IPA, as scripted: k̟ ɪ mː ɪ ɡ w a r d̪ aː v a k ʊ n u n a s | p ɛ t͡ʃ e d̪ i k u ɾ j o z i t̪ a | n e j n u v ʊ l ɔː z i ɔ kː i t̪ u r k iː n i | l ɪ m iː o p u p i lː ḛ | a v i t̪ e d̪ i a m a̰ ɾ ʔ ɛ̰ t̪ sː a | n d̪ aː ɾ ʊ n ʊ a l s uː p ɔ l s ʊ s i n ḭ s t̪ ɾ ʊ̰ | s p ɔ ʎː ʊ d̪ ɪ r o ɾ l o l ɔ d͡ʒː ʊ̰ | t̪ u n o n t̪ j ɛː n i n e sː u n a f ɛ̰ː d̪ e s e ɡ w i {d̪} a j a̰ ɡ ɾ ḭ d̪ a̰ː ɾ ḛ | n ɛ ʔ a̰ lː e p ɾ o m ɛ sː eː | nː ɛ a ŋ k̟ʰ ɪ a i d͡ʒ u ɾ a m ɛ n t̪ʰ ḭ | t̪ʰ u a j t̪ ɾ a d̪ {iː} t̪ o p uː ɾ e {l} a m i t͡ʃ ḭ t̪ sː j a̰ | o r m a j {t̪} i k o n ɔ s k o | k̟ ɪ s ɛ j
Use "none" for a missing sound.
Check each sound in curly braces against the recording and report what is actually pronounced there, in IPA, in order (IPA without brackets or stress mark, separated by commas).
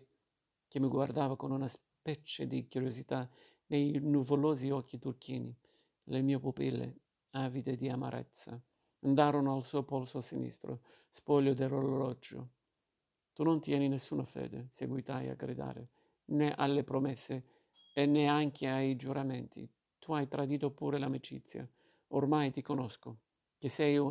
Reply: t̪, iː, l, t̪